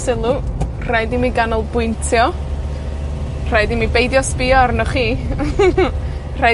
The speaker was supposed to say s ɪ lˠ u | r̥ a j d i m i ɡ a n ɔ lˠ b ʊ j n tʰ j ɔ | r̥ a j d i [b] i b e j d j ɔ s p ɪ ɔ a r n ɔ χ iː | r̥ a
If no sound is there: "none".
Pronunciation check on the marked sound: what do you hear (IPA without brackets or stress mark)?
m